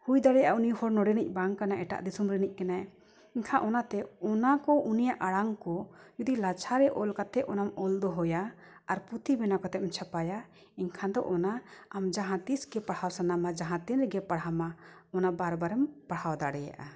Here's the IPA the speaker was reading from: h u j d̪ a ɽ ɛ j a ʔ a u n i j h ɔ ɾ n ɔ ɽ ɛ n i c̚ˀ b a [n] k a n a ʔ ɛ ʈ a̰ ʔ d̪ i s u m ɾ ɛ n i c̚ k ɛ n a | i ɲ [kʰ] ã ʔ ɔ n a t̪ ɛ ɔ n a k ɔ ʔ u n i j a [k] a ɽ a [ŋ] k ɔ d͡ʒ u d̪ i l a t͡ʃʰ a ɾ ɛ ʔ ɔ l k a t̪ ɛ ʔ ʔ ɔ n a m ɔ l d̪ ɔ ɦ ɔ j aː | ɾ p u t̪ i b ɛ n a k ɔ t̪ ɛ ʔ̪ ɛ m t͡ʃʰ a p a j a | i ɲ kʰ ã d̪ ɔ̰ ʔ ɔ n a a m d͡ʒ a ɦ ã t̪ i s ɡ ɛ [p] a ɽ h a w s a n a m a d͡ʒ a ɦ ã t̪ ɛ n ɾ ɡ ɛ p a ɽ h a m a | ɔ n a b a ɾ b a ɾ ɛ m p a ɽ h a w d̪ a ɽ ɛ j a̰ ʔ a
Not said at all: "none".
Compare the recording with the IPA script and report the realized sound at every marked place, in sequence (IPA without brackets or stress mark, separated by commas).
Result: ŋ, kʰ, ʔ, ŋ, p